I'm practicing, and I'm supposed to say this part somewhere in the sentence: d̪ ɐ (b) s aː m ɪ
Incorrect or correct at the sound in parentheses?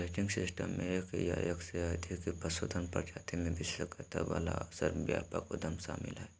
incorrect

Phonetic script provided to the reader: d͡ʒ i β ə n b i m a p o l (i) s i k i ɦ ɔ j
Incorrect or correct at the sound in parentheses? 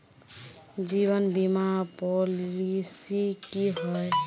correct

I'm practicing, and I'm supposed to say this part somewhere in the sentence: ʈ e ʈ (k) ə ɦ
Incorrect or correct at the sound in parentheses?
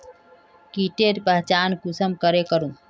incorrect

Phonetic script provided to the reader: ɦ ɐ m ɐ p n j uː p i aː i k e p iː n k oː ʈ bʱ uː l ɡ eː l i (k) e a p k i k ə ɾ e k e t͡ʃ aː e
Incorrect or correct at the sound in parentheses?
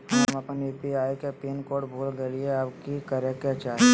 incorrect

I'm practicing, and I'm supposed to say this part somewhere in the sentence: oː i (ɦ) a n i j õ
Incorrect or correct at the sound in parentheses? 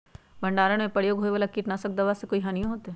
correct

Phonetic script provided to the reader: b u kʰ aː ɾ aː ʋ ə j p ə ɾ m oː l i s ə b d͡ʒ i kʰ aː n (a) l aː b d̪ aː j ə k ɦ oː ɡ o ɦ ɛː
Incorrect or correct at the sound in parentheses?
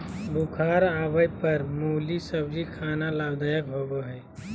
correct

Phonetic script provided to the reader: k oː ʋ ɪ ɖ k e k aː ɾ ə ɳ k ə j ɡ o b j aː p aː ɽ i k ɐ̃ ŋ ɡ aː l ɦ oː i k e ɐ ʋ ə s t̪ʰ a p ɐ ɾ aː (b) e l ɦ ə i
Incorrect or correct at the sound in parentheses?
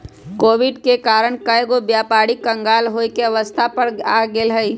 incorrect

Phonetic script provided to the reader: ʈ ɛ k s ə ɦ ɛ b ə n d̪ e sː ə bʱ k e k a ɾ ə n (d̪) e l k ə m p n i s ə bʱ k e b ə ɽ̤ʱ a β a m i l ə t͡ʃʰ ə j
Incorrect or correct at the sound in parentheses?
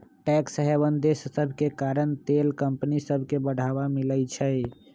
incorrect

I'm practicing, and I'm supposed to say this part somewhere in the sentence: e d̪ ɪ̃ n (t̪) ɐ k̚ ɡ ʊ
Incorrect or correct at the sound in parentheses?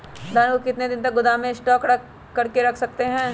correct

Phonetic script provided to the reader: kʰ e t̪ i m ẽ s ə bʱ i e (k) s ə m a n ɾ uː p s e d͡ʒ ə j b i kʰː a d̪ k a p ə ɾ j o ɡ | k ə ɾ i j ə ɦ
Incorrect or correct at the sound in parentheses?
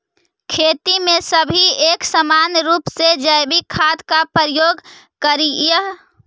correct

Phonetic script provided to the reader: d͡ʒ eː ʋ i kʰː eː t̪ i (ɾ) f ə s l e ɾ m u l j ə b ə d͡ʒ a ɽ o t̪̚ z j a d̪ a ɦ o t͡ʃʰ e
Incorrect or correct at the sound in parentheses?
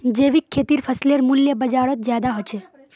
correct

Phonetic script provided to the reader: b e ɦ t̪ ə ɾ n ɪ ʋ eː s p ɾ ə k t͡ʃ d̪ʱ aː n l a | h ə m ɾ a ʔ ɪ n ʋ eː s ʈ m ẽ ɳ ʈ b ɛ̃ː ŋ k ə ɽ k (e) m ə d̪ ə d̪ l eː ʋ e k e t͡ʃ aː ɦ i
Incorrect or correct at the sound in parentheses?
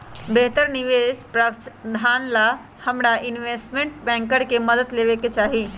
correct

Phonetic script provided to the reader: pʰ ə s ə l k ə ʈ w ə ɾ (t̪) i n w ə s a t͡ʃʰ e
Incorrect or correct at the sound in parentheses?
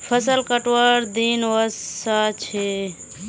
incorrect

